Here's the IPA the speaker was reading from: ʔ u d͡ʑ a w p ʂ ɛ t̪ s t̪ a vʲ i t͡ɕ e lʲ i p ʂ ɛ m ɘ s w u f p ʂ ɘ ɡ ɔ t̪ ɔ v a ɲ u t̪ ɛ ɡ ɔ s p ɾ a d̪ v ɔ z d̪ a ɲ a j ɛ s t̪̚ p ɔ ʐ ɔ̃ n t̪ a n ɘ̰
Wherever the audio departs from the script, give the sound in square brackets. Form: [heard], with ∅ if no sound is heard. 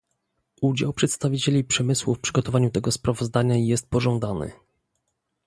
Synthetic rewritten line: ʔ u d͡ʑ a w p ʂ ɛ t̪ s t̪ a vʲ i t͡ɕ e lʲ i p ʂ ɛ m ɘ s w u f p ʂ ɘ ɡ ɔ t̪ ɔ v a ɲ u t̪ ɛ ɡ ɔ s p ɾ a [∅] v ɔ z d̪ a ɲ a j ɛ s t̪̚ p ɔ ʐ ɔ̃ n [d̪] a n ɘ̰